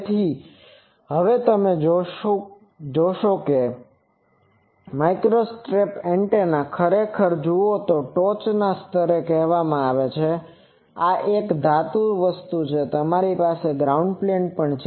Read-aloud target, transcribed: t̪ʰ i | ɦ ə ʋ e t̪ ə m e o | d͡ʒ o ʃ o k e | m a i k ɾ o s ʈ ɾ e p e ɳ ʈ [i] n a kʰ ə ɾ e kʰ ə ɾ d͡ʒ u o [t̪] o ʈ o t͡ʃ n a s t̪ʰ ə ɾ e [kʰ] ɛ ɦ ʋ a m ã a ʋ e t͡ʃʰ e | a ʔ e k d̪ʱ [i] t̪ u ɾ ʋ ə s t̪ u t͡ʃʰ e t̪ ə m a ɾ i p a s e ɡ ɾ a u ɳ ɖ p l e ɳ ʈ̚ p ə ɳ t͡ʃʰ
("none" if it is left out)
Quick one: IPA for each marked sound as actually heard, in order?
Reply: e, t̪, k, a

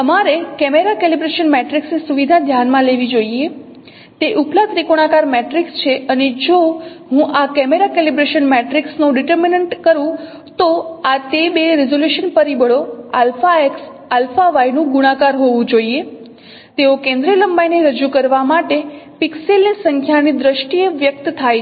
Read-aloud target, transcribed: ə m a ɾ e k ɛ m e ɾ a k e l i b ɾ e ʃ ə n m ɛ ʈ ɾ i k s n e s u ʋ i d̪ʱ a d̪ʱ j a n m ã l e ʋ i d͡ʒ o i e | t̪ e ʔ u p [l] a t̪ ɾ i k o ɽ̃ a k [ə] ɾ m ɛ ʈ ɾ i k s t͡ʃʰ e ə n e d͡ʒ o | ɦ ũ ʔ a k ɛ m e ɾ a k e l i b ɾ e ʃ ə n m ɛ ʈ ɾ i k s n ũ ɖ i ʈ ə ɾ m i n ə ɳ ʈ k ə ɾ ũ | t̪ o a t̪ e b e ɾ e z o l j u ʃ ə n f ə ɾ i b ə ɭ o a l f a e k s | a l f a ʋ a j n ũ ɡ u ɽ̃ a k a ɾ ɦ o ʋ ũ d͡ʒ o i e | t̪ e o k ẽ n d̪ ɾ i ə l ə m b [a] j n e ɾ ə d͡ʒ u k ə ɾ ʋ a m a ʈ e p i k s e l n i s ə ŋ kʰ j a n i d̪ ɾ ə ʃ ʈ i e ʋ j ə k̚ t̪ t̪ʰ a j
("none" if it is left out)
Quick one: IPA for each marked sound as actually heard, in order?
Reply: l, a, a

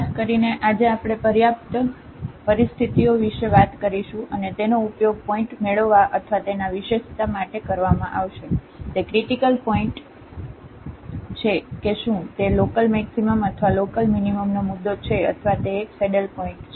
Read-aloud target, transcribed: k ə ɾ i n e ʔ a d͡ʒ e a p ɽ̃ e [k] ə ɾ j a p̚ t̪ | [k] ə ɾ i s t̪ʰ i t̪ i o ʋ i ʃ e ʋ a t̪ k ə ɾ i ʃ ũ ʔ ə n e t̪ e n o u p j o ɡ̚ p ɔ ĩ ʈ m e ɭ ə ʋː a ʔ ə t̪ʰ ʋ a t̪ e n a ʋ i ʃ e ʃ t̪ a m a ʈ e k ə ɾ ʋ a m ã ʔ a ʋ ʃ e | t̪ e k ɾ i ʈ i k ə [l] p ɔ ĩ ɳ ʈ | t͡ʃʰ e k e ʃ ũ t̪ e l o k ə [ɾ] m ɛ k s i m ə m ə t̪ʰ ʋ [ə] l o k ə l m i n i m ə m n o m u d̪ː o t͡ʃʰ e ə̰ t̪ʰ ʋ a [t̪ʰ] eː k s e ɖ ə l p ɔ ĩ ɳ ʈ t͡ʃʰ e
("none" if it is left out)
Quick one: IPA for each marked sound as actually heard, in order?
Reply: p, p, l, l, a, t̪

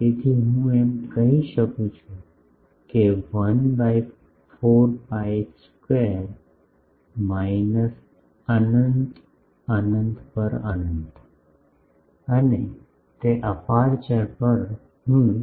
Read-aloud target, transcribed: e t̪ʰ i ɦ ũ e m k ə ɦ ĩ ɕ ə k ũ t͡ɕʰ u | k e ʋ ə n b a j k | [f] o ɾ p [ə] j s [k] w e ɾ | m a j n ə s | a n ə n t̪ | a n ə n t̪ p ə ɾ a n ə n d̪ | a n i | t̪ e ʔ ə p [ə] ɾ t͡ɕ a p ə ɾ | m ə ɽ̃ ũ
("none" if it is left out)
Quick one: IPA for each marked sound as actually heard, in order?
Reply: f, a, k, a

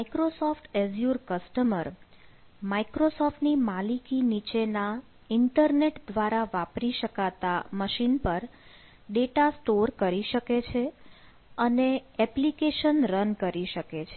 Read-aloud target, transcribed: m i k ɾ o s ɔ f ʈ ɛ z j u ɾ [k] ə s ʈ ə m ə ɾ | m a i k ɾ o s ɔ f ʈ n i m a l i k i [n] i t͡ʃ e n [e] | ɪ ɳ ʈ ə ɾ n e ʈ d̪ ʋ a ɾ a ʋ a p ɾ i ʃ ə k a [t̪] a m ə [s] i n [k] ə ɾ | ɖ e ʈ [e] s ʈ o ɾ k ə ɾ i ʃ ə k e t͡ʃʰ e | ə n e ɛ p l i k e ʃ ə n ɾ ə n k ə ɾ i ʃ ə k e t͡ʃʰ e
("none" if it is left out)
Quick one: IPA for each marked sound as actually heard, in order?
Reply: k, n, a, t̪, ʃ, p, a

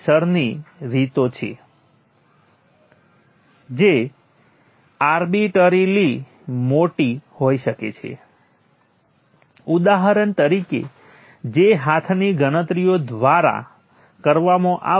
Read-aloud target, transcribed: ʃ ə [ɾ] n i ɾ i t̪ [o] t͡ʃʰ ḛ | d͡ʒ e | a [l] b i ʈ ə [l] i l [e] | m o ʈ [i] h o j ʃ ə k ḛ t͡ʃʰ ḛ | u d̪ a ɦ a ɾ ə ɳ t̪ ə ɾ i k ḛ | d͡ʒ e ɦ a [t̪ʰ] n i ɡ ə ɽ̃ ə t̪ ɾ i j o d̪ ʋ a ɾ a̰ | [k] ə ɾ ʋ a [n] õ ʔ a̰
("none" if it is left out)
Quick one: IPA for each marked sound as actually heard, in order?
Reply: ɾ, o, ɾ, ɾ, i, i, t̪ʰ, k, m

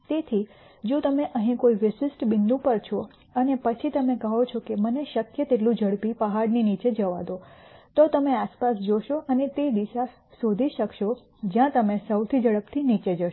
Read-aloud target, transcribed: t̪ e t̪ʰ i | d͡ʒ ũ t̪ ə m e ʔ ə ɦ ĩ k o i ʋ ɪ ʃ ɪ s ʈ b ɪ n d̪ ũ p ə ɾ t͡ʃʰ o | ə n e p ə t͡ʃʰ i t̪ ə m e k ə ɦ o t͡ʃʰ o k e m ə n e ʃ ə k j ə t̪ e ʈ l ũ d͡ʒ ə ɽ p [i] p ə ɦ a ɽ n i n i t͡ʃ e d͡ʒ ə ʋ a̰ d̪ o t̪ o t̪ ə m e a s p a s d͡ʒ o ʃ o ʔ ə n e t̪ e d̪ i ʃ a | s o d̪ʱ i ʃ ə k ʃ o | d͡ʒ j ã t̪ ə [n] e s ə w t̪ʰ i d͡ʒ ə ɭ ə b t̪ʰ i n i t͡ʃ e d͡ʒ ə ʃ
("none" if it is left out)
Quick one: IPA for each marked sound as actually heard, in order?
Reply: i, m

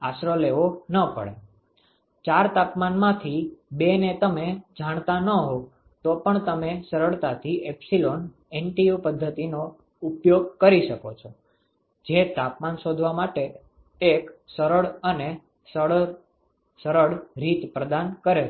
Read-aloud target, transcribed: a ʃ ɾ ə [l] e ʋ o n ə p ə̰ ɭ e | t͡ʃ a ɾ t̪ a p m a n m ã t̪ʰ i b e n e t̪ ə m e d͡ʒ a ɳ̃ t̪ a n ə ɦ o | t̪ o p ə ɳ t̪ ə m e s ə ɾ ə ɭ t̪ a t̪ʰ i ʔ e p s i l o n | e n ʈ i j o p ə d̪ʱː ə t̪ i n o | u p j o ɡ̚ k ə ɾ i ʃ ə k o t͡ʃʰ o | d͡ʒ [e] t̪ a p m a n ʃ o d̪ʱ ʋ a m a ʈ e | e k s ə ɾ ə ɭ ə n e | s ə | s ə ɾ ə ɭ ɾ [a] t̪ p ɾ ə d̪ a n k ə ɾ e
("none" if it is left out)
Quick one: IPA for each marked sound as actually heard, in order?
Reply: l, e, i

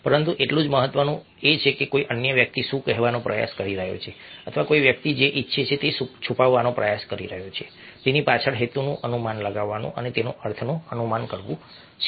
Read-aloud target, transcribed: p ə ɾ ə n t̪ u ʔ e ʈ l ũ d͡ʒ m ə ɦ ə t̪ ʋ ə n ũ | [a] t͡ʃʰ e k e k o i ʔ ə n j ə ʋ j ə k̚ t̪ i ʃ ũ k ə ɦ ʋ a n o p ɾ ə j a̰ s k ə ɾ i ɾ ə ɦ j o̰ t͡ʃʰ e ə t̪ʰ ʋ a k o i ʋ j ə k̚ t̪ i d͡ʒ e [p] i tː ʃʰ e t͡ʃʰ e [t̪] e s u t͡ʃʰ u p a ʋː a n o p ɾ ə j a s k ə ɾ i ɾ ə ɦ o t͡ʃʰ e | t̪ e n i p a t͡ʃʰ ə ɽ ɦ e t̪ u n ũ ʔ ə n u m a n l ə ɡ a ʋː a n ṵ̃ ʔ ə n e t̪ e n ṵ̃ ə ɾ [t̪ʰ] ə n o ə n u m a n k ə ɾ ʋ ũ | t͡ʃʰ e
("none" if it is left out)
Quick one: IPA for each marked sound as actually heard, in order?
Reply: e, ʔ, t̪, t̪ʰ

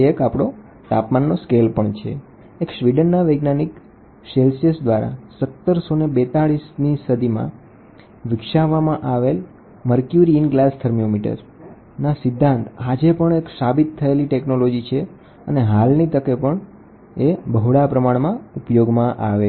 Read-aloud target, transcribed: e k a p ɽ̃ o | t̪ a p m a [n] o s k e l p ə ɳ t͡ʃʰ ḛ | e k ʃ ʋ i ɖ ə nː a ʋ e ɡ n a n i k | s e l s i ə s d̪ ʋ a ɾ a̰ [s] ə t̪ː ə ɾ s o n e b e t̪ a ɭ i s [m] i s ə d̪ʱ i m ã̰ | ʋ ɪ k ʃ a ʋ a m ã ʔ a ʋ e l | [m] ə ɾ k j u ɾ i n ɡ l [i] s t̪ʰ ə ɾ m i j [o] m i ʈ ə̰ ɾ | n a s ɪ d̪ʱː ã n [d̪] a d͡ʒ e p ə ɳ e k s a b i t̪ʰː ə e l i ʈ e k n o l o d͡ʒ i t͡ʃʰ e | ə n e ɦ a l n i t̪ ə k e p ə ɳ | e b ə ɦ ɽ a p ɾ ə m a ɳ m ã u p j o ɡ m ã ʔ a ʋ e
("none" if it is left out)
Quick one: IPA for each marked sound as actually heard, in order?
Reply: nː, s, n, m, a, o, t̪

